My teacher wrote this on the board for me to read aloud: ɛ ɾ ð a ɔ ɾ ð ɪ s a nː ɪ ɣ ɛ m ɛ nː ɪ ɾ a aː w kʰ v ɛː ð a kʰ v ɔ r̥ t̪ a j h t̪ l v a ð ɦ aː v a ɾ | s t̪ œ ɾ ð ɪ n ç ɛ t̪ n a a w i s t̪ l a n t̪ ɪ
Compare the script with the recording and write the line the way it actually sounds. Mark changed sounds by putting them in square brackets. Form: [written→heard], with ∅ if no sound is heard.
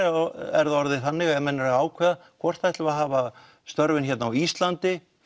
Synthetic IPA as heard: ɛ ɾ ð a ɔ ɾ ð ɪ [s→θ] a nː ɪ ɣ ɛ m ɛ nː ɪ ɾ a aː w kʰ v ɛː ð a kʰ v ɔ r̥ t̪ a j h t̪ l v a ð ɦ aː v a [ɾ→∅] | s t̪ œ ɾ [ð→v] ɪ n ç ɛ t̪ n a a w i s t̪ l a n t̪ ɪ

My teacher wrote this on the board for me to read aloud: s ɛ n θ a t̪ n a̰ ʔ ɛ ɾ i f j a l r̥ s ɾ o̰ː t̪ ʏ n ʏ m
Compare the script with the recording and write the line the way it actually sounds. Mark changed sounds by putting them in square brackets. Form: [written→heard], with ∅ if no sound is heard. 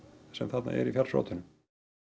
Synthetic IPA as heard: s ɛ [n→m] θ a t̪ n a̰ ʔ ɛ ɾ i f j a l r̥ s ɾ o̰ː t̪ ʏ n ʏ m

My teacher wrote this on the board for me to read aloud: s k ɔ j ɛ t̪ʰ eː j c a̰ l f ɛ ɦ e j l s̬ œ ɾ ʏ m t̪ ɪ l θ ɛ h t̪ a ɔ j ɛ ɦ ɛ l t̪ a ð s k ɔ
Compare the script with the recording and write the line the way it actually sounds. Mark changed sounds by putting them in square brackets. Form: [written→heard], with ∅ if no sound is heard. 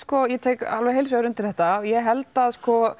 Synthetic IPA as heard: s k ɔ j ɛ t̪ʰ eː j [c→k] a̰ l [f→v] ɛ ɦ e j l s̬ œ ɾ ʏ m t̪ ɪ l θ ɛ h t̪ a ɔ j ɛ ɦ ɛ l t̪ a ð s k ɔ

